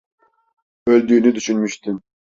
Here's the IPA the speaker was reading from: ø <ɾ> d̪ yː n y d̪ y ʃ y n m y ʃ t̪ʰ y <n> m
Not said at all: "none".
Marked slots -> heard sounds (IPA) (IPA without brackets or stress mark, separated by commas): l, none